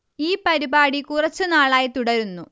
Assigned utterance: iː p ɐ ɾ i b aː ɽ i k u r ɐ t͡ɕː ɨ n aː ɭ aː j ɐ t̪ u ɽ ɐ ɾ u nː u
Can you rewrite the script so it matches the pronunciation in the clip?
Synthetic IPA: iː p ɐ ɾ i b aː ɽ i k u r ɐ t͡ɕː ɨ n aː ɭ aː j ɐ t̪ u ɽ ɐ ɾ u nː u